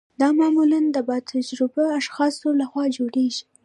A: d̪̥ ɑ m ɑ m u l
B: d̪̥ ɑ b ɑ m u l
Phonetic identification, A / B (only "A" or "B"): A